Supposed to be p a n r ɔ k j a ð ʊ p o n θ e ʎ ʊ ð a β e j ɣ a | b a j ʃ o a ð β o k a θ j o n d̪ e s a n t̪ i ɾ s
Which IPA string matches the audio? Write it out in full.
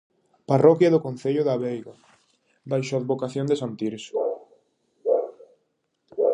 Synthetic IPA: p a r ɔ k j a ð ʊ k o n θ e ʎ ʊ ð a β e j ɣ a | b a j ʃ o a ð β o k a θ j o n d̪ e s a n t̪ i ɾ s